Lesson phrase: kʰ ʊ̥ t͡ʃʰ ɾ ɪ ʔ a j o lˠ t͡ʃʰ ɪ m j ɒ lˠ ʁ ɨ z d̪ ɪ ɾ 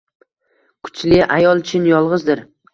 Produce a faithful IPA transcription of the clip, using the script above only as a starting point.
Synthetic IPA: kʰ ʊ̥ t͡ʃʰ l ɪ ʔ a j ɒ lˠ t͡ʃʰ ɪ n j ɒ lˠ ʁ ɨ z d̪ ɪ ɾ